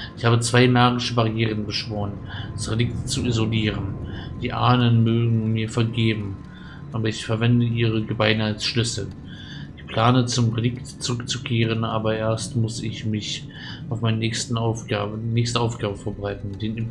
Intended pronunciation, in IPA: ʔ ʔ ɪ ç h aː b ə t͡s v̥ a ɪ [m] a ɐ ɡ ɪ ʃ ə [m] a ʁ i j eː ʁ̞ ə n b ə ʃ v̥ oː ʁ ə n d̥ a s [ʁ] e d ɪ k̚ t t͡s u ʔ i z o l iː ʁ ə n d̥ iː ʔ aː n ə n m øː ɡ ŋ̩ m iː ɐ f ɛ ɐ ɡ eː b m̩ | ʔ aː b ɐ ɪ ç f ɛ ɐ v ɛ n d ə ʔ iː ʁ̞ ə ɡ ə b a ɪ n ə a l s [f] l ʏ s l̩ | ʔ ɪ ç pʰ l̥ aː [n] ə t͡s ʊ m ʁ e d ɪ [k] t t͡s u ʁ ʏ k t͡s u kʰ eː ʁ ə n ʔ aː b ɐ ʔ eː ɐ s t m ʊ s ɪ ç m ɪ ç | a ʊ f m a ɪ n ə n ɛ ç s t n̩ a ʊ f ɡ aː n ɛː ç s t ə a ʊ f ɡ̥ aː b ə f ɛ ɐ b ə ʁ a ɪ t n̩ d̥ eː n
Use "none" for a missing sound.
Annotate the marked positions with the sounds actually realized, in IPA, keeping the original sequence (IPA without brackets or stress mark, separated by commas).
m, b, ʁ, ʃ, n, k